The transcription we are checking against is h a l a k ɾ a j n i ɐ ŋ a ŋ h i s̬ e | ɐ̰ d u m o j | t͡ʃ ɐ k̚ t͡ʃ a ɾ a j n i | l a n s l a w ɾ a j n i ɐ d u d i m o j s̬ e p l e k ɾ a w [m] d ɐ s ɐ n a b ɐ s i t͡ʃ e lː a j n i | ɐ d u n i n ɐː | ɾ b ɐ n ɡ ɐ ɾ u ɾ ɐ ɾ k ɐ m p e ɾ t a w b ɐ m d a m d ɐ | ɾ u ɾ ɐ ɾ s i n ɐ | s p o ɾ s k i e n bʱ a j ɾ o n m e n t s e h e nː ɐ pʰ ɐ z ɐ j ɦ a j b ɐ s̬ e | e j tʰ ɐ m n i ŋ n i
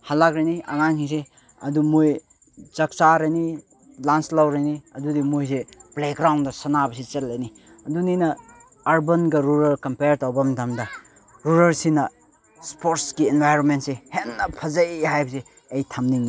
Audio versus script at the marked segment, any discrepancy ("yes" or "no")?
yes